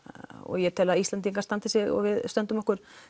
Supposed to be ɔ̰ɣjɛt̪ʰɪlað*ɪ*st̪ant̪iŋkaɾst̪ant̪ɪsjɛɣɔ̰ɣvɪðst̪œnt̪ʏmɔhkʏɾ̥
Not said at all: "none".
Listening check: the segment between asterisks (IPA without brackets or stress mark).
i